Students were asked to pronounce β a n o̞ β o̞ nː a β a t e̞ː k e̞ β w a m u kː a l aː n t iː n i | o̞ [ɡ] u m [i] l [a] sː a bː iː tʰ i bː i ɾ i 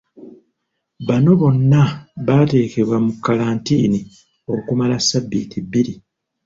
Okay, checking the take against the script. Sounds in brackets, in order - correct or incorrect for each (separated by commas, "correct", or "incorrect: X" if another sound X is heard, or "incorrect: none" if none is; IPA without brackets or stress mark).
incorrect: k, incorrect: a, correct